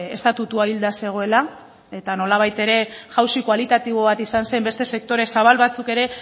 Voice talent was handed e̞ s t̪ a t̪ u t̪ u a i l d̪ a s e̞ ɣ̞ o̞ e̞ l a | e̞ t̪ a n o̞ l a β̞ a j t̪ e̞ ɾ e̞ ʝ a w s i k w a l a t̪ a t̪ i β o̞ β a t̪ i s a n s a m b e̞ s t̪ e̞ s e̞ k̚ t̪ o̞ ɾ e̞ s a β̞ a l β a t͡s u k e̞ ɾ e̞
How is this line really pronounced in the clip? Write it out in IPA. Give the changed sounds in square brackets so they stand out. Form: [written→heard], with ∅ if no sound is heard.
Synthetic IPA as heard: e̞ s t̪ a t̪ u t̪ u a i l d̪ a s e̞ ɣ̞ o̞ e̞ l a | e̞ t̪ a n o̞ l a β̞ a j t̪ e̞ ɾ e̞ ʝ a w s i k w a l [a→i] t̪ a t̪ i β o̞ β a t̪ i s a n s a m b e̞ s t̪ e̞ s e̞ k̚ t̪ o̞ ɾ e̞ s a β̞ a l β a t͡s u k e̞ ɾ e̞